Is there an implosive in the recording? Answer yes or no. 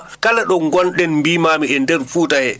yes